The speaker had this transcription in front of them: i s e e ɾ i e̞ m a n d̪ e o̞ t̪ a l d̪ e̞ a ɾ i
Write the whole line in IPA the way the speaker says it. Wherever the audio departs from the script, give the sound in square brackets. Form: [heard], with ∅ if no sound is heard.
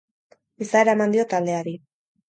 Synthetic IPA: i s [a] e ɾ [a] e̞ m a n d̪ [i] o̞ t̪ a l d̪ e̞ a ɾ i